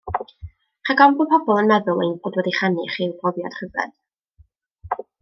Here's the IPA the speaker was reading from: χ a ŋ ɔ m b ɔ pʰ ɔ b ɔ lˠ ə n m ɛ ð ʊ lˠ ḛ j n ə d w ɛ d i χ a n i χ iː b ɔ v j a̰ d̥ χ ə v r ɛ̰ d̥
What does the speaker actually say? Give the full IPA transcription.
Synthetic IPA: χ a ɡ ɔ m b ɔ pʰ ɔ b ɔ lˠ ə n m ɛ ð ʊ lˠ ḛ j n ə d w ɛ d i χ a n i χ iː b ɔ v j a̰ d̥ χ ə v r ɛ̰ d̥

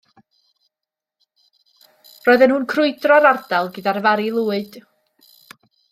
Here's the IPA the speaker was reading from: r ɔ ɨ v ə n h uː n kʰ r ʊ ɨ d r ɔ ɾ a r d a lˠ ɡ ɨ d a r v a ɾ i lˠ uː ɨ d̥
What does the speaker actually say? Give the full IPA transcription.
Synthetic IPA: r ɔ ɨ ð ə n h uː n kʰ r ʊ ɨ d r ɔ ɾ a r d a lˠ ɡ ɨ d a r v a ɾ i lˠ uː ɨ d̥

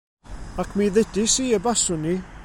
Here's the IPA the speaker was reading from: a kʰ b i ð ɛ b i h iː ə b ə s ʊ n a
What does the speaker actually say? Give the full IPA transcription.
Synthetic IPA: a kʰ m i ð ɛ d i s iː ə b a s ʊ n i

